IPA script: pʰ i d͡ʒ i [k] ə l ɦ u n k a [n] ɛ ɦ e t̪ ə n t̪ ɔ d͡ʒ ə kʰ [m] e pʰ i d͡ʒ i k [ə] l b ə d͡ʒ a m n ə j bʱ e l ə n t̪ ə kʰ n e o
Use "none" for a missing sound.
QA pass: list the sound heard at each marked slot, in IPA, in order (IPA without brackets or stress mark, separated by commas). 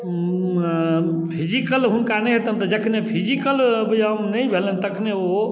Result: k, n, n, ə